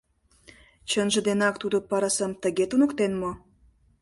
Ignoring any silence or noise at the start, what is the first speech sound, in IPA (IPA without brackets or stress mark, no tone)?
t͡ɕ